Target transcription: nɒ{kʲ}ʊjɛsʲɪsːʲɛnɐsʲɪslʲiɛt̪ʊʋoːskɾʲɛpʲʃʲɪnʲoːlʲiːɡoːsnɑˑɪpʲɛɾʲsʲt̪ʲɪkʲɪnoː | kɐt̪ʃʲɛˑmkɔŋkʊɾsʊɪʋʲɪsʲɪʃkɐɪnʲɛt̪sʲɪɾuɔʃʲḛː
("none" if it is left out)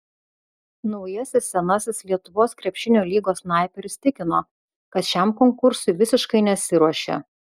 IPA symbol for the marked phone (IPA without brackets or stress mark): none